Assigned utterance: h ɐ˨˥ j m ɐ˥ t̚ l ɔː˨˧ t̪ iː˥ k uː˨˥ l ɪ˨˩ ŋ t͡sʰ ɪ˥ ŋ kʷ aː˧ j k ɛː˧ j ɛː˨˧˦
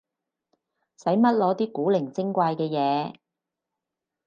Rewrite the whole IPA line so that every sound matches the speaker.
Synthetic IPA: s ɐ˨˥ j m ɐ˥ t̚ l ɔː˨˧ t̪ iː˥ k uː˨˥ l ɪ˨˩ ŋ t͡s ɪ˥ ŋ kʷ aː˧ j k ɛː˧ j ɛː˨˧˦